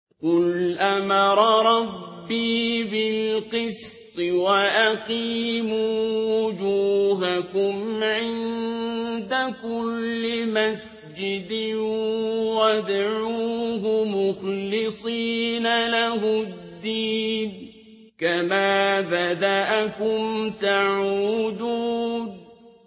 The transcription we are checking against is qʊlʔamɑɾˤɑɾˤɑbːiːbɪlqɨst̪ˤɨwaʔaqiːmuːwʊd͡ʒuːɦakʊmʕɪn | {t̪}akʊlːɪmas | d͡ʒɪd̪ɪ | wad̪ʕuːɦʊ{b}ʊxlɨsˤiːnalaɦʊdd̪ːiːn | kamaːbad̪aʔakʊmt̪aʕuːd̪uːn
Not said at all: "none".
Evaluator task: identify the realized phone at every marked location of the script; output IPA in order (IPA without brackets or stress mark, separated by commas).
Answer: d̪, m